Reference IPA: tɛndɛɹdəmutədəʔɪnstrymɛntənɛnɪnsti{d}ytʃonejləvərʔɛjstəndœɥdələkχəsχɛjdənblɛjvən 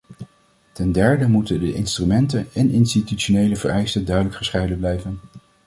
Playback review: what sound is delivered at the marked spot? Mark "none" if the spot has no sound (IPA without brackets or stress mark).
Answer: t